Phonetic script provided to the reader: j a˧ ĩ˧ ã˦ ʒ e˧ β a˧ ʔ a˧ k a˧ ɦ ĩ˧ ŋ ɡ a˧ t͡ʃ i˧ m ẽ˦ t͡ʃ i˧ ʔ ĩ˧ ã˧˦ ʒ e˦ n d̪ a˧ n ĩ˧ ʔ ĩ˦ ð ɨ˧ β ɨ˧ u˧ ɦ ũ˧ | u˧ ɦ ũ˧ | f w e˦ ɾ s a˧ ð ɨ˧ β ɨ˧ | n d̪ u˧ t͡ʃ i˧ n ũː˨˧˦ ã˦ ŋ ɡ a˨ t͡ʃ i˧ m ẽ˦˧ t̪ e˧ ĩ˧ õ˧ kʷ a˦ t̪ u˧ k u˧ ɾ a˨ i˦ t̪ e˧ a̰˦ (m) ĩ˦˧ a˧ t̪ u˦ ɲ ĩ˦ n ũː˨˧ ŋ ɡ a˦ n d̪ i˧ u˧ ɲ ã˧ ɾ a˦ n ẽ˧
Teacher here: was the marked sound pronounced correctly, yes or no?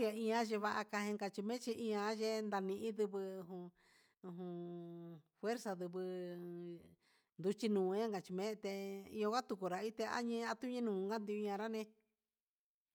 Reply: no